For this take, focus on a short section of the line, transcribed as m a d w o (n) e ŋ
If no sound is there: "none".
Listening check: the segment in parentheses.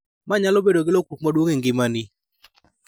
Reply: ŋ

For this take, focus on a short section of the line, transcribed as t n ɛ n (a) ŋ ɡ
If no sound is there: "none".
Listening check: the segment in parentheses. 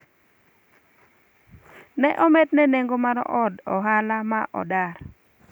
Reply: e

